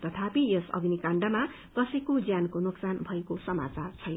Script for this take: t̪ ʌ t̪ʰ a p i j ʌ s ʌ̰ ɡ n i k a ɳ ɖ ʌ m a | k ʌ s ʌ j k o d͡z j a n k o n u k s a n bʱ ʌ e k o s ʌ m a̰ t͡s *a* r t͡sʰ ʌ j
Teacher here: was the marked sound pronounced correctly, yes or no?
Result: yes